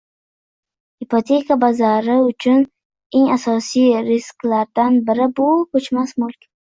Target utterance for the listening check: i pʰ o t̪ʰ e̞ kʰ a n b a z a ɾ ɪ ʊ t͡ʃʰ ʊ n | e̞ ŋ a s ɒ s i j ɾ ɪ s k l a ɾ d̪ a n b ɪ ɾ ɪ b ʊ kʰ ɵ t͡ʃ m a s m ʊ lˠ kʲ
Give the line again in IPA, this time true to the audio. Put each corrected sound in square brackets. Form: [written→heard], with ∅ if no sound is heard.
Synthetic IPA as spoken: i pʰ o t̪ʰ e̞ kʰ a [n→∅] b a z a ɾ ɪ ʊ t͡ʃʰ ʊ n | e̞ ŋ a s ɒ s i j ɾ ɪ s k l a ɾ d̪ a n b ɪ ɾ ɪ b ʊ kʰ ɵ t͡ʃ m a s m ʊ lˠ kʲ

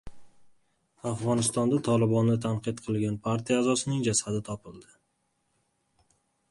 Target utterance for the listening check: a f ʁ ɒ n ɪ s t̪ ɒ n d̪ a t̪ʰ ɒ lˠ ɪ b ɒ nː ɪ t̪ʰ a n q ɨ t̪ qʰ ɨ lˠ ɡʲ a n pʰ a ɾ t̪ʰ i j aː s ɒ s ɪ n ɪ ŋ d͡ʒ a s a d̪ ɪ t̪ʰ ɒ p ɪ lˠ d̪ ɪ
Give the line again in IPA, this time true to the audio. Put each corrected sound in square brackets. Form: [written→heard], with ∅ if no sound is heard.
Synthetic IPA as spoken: a f ʁ ɒ n ɪ s t̪ ɒ n d̪ a t̪ʰ ɒ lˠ ɪ b ɒ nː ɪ t̪ʰ a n q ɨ t̪ qʰ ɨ lˠ ɡʲ a n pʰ a ɾ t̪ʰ i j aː [s→z] ɒ s ɪ n ɪ ŋ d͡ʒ a s a d̪ ɪ t̪ʰ ɒ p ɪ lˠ d̪ ɪ

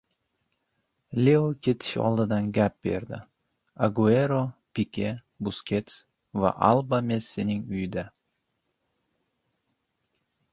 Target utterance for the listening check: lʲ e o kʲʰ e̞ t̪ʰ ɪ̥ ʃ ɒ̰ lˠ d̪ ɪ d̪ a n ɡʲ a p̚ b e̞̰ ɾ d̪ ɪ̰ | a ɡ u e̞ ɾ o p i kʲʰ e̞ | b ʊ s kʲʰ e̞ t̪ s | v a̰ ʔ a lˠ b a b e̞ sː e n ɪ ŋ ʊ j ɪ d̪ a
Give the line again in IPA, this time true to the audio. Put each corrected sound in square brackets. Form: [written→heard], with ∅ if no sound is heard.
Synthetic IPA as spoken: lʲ e o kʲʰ e̞ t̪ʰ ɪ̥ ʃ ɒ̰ lˠ d̪ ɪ d̪ a n ɡʲ a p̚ b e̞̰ ɾ d̪ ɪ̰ | a ɡ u e̞ ɾ o p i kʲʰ e̞ | b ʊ s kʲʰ e̞ t̪ s | v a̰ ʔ a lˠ b a [b→m] e̞ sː e n ɪ ŋ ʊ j ɪ d̪ a

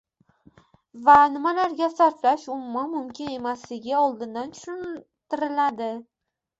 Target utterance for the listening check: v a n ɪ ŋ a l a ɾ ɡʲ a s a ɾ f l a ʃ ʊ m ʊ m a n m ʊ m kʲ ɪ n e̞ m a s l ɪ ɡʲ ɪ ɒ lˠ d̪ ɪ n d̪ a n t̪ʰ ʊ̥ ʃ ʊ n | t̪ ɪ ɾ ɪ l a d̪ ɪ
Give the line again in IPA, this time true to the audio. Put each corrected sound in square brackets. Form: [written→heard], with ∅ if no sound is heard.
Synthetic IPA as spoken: v a n ɪ [ŋ→m] a l a ɾ ɡʲ a s a ɾ f l a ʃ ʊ m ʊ m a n m ʊ m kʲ ɪ n e̞ m a s l ɪ ɡʲ ɪ ɒ lˠ d̪ ɪ n d̪ a n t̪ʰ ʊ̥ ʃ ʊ n | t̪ ɪ ɾ ɪ l a d̪ ɪ

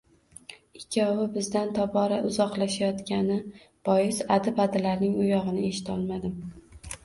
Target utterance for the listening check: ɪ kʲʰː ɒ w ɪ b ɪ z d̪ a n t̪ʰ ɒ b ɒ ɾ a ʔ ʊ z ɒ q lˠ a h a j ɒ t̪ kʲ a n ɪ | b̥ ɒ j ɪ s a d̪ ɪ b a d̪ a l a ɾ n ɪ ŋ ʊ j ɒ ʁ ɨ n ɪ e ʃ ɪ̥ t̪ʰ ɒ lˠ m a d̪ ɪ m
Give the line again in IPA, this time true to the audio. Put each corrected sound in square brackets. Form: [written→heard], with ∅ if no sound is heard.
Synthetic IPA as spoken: ɪ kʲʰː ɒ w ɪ b ɪ z d̪ a n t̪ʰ ɒ b ɒ ɾ a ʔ ʊ z ɒ q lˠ a [h→ʃ] a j ɒ t̪ kʲ a n ɪ | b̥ ɒ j ɪ s a d̪ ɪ b a d̪ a l a ɾ n ɪ ŋ ʊ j ɒ ʁ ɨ n ɪ e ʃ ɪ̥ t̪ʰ ɒ lˠ m a d̪ ɪ m

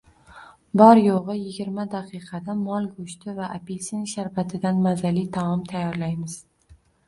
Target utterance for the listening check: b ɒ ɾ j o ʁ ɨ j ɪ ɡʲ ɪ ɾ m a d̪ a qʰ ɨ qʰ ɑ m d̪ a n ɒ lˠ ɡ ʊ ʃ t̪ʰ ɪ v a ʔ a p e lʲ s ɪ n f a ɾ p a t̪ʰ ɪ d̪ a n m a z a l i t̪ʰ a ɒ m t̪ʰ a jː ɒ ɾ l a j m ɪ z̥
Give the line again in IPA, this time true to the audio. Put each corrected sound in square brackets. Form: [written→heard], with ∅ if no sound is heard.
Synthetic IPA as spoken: b ɒ ɾ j o ʁ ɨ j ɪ ɡʲ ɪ ɾ m a d̪ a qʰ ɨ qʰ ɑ [m→∅] d̪ a [n→m] ɒ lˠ ɡ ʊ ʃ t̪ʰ ɪ v a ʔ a p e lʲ s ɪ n [f→ʃ] a ɾ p a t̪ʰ ɪ d̪ a n m a z a l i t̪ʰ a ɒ m t̪ʰ a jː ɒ ɾ l a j m ɪ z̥

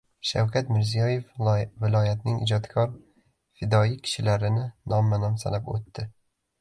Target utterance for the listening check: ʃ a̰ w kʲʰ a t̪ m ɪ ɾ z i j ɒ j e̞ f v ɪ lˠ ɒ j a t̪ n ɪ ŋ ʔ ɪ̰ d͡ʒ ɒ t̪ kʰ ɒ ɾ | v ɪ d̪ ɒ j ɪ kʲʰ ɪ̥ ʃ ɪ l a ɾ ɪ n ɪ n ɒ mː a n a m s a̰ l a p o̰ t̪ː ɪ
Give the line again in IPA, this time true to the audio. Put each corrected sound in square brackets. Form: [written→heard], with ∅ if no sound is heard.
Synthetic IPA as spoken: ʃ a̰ w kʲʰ a t̪ m ɪ ɾ z i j ɒ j e̞ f v ɪ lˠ ɒ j a t̪ n ɪ ŋ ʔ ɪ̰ d͡ʒ ɒ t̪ kʰ ɒ ɾ | [v→f] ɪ d̪ ɒ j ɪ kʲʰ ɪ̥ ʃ ɪ l a ɾ ɪ n ɪ n ɒ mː a n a m s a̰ l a p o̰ t̪ː ɪ

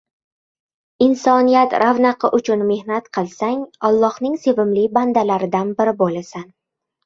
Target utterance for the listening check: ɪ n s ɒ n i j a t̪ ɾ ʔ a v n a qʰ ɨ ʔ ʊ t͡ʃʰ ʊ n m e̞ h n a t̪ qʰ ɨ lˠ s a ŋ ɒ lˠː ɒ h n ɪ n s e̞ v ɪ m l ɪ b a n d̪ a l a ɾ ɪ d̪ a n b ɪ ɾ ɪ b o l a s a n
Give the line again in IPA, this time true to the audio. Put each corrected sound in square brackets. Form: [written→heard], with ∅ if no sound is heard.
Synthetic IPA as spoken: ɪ n s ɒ n i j a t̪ ɾ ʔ a v n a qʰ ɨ ʔ ʊ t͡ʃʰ ʊ n m e̞ h n a t̪ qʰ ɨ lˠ s a ŋ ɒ lˠː ɒ h n ɪ [n→ŋ] s e̞ v ɪ m l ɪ b a n d̪ a l a ɾ ɪ d̪ a n b ɪ ɾ ɪ b o l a s a n

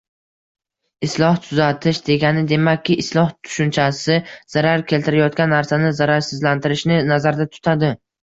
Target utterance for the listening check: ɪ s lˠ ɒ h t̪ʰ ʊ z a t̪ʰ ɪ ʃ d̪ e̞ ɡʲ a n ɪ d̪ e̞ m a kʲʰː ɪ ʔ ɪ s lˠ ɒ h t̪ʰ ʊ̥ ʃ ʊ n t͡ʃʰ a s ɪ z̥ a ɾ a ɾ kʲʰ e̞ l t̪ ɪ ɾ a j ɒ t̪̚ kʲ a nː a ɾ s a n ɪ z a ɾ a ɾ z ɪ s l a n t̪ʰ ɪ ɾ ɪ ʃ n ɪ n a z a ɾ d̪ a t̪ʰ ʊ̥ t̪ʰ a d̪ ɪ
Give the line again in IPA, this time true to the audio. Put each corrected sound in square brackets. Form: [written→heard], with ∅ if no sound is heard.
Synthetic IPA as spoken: ɪ s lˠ ɒ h t̪ʰ ʊ z a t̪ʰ ɪ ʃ d̪ e̞ ɡʲ a n ɪ d̪ e̞ m a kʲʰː ɪ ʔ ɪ s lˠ ɒ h t̪ʰ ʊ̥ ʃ ʊ n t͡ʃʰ a s ɪ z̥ a ɾ a ɾ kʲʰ e̞ l t̪ ɪ ɾ a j ɒ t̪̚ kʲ a nː a ɾ s a n ɪ z a ɾ a ɾ [z→s] ɪ [s→z] l a n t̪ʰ ɪ ɾ ɪ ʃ n ɪ n a z a ɾ d̪ a t̪ʰ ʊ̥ t̪ʰ a d̪ ɪ

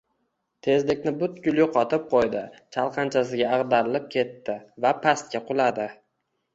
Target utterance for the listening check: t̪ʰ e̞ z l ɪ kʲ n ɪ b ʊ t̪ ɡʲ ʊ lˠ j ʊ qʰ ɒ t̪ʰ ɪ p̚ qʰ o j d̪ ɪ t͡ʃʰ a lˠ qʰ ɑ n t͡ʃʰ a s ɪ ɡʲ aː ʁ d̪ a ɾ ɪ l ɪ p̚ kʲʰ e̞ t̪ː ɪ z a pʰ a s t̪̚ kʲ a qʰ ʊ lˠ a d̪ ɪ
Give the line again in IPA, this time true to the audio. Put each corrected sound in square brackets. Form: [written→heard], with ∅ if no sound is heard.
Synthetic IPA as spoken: t̪ʰ e̞ z l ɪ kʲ n ɪ b ʊ t̪ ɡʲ ʊ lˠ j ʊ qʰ ɒ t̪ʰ ɪ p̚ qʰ o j d̪ ɪ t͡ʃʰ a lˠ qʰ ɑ n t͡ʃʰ a s ɪ ɡʲ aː ʁ d̪ a ɾ ɪ l ɪ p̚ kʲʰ e̞ t̪ː ɪ [z→v] a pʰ a s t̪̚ kʲ a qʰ ʊ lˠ a d̪ ɪ

